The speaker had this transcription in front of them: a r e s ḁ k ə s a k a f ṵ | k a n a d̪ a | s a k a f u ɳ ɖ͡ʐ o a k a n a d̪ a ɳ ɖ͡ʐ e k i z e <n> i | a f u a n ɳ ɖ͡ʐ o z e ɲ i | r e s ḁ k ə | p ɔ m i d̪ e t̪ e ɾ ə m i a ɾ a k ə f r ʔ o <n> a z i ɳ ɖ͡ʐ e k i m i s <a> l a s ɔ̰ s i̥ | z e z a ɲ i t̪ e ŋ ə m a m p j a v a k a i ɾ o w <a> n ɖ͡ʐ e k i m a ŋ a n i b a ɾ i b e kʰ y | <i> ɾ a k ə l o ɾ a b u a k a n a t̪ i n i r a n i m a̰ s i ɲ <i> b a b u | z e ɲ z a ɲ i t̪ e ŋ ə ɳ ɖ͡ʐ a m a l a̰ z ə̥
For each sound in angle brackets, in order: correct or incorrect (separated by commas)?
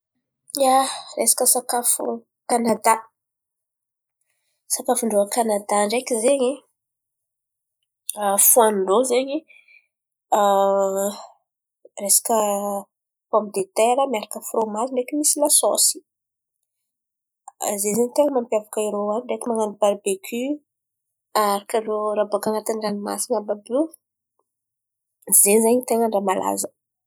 incorrect, incorrect, incorrect, correct, incorrect, incorrect